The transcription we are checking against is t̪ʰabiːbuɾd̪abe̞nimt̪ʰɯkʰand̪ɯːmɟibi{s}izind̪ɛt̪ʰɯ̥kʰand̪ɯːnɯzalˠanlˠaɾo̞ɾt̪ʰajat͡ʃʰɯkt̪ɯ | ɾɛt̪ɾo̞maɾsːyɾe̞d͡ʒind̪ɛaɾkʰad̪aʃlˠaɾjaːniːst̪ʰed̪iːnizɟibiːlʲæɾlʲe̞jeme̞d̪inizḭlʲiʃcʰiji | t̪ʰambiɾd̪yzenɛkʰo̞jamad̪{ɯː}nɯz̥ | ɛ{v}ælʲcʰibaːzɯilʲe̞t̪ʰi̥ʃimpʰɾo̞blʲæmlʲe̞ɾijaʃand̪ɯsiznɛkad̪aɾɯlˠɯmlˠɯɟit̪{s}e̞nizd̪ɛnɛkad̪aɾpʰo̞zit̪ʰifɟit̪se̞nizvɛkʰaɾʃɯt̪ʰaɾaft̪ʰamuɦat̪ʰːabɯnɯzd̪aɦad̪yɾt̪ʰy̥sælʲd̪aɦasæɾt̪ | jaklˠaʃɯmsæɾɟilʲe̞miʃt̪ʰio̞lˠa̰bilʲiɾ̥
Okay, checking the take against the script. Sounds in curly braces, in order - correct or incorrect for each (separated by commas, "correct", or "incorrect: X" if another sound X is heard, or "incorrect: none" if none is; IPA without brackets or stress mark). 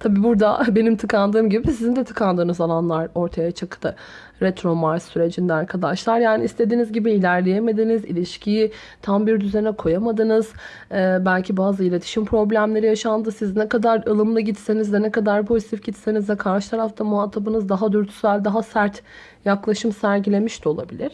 correct, incorrect: ɯ, incorrect: b, correct